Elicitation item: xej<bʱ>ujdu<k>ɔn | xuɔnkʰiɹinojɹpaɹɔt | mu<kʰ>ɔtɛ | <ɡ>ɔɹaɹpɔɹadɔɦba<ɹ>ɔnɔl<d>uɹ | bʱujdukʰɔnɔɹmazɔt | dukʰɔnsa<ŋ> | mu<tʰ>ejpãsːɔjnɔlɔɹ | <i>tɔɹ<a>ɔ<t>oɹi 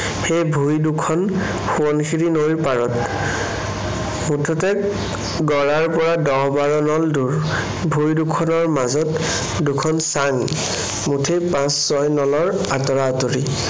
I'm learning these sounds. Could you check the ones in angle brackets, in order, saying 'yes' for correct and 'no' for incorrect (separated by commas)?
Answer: yes, no, no, yes, yes, yes, yes, yes, no, yes, yes